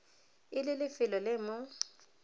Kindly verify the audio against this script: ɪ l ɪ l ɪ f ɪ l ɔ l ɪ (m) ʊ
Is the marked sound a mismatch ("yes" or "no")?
no